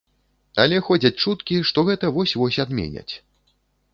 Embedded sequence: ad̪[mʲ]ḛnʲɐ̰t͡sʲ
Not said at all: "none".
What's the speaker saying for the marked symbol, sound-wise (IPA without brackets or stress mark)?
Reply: mʲ